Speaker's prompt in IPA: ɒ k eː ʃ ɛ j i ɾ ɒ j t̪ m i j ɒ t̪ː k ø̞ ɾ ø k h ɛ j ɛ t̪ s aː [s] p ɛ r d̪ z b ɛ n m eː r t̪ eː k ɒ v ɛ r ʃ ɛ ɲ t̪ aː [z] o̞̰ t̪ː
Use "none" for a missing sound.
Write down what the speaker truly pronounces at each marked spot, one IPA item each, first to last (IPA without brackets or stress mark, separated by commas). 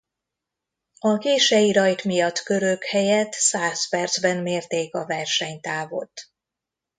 s, v